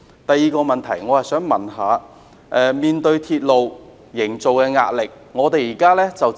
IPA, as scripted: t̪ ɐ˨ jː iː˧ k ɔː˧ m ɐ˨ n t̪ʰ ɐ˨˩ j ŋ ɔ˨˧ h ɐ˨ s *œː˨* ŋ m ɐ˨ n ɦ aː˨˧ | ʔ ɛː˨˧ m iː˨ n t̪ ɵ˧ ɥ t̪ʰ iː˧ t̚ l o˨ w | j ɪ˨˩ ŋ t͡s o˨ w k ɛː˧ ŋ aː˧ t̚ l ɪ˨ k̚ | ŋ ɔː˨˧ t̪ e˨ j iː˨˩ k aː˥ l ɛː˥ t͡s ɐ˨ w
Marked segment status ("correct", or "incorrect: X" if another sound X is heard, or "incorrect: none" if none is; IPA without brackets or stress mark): incorrect: œː˨˥